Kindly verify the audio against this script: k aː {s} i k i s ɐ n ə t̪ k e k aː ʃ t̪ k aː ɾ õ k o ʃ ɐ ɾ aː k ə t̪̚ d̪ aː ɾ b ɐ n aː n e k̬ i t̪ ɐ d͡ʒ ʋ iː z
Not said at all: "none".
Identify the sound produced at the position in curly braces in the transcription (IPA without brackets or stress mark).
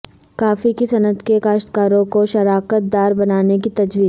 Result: f